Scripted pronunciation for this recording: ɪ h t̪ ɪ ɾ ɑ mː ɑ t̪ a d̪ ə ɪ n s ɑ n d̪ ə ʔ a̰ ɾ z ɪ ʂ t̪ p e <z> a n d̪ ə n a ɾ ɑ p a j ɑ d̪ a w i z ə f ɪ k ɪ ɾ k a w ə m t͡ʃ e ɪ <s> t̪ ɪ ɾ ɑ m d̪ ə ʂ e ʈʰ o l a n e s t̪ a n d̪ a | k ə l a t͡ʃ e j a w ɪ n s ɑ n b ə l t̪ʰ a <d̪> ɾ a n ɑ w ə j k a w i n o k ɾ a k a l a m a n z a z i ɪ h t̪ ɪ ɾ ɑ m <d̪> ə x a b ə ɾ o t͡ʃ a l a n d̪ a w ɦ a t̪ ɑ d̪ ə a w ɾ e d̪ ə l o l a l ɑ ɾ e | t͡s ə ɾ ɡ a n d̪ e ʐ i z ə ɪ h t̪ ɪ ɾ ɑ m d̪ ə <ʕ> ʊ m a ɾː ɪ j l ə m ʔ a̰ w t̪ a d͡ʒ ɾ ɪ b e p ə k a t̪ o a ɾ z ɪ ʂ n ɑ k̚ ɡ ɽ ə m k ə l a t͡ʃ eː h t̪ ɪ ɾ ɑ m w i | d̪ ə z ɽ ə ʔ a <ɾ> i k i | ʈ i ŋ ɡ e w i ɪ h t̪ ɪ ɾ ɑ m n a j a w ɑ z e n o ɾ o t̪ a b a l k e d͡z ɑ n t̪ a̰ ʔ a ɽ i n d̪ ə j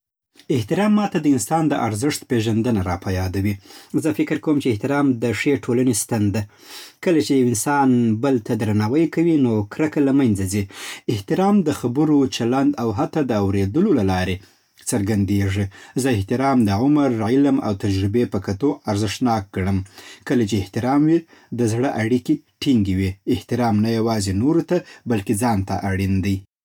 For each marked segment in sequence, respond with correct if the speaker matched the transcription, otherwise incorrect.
incorrect: ʒ, incorrect: h, correct, correct, correct, incorrect: ɽ

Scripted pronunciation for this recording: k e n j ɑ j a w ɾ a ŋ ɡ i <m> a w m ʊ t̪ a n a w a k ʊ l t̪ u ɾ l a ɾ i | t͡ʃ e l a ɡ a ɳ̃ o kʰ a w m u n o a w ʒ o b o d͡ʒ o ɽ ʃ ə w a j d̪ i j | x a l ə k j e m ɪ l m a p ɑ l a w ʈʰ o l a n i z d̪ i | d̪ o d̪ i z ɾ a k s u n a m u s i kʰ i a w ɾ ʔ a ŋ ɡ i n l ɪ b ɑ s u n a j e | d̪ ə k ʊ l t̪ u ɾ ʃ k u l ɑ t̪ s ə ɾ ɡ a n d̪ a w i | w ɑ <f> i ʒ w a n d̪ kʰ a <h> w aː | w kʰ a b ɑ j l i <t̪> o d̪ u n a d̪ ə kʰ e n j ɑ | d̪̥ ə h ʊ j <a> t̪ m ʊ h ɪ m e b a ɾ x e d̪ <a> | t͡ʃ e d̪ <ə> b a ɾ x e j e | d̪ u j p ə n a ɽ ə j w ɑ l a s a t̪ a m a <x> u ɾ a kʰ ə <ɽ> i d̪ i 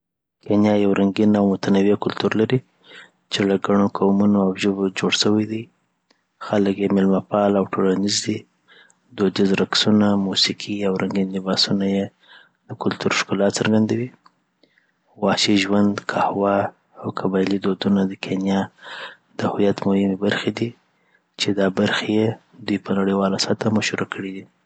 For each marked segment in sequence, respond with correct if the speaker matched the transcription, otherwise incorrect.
incorrect: n, incorrect: ʃ, correct, incorrect: d̪, correct, incorrect: i, incorrect: ɑ, incorrect: ʃ, correct

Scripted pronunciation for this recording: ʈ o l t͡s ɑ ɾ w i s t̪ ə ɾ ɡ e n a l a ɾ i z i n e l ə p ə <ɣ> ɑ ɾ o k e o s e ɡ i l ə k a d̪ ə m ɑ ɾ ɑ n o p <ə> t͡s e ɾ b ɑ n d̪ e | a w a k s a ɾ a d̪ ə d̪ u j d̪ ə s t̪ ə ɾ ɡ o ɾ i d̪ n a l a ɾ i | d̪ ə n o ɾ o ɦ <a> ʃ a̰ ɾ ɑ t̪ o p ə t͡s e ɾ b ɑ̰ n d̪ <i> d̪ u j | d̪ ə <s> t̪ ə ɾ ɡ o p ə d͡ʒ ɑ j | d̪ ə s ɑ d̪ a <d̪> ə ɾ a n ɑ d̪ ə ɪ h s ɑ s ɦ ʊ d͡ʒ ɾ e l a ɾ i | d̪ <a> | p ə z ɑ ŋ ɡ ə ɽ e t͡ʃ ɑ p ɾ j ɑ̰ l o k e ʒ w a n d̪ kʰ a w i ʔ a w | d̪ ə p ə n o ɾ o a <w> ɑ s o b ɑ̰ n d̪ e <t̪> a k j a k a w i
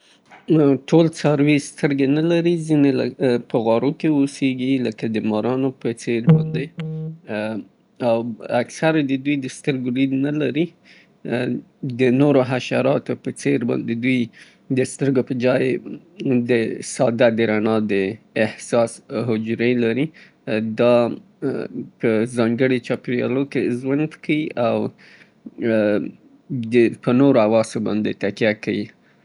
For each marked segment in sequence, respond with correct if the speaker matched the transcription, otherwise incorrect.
correct, correct, correct, incorrect: e, correct, correct, incorrect: ɑ, correct, correct

